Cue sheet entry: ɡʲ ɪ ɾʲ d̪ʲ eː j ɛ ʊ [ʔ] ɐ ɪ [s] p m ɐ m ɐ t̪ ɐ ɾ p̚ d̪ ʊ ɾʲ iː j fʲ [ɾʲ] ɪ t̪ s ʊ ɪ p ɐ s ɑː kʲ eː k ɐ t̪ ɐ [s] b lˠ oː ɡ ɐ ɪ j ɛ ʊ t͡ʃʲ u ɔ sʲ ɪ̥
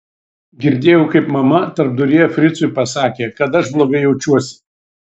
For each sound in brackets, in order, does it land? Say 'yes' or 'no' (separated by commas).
no, no, yes, no